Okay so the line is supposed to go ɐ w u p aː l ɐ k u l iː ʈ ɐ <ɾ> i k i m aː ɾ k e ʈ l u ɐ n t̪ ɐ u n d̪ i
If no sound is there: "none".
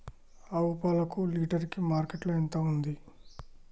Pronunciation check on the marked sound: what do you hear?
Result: ɾ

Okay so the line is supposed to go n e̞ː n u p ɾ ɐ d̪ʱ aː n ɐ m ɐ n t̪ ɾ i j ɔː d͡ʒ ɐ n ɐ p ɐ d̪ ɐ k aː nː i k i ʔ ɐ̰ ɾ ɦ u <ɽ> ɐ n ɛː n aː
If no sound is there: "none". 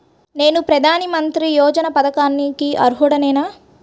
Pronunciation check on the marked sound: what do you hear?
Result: ɽ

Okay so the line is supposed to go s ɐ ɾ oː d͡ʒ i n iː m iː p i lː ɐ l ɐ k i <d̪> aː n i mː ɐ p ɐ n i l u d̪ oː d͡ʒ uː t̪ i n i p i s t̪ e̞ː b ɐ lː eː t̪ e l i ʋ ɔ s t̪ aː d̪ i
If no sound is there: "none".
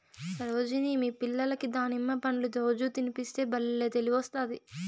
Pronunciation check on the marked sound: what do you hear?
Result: d̪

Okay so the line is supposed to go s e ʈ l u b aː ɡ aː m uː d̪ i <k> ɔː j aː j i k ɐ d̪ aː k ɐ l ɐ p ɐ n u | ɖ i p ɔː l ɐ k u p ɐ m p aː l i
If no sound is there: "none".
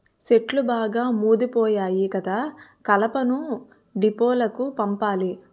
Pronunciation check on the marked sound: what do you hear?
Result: p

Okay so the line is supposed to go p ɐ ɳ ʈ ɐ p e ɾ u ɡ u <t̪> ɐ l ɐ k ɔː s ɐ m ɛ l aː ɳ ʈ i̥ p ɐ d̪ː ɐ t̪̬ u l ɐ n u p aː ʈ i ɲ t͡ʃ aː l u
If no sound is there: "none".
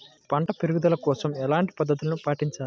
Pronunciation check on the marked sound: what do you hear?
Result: d̪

